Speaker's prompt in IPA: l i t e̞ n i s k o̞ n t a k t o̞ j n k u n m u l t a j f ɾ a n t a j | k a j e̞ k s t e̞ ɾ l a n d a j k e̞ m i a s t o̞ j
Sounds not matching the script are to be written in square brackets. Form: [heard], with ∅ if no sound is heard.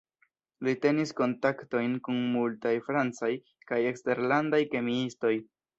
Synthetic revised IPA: l i t e̞ n i s k o̞ n t a k t o̞ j n k u n m u l t a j f ɾ a n [t͡s] a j | k a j e̞ k s t e̞ ɾ l a n d a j k e̞ m i [i] s t o̞ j